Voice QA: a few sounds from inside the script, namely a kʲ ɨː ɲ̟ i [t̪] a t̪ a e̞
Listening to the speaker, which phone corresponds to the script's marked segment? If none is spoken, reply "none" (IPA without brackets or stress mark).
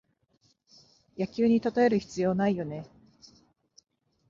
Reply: t̪